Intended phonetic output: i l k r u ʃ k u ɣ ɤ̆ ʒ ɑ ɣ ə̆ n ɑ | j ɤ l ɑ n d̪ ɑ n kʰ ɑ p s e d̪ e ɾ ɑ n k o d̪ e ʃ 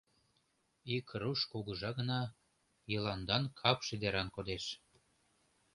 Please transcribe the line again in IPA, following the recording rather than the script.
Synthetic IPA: i k r u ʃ k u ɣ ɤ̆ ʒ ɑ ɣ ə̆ n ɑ | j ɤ l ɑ n d̪ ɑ n kʰ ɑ p ʃ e d̪ e ɾ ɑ n k o d̪ e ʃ